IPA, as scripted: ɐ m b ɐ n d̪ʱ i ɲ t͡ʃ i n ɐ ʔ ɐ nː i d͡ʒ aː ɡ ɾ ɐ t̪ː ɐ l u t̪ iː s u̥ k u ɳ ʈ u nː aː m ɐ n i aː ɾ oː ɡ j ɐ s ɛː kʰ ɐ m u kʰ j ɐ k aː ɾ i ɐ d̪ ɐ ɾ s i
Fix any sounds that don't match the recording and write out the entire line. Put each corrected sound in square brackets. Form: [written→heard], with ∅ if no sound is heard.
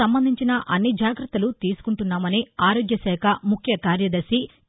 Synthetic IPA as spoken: ɐ m b ɐ n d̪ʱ i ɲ t͡ʃ i n ɐ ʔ ɐ nː i d͡ʒ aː ɡ ɾ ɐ t̪ː ɐ l u t̪ iː s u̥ k u ɳ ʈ u nː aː m ɐ n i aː ɾ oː ɡ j ɐ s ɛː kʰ ɐ m u kʰ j ɐ k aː ɾ [i→j] ɐ d̪ ɐ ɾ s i